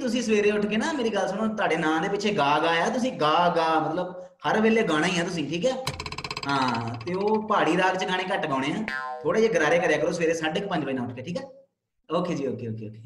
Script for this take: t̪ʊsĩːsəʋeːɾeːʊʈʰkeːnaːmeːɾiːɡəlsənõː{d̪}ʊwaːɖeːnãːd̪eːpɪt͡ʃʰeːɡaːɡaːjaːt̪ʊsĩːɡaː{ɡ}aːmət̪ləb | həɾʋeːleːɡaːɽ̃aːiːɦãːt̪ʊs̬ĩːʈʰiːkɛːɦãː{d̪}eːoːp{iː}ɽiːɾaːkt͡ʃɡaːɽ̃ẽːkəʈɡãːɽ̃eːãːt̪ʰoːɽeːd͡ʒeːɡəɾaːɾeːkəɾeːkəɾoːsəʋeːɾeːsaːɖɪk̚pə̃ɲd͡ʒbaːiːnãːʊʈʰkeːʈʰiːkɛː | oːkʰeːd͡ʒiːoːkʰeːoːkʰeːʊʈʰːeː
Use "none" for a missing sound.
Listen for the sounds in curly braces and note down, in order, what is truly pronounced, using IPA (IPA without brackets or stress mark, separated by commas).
t̪, ɡ, t̪, aː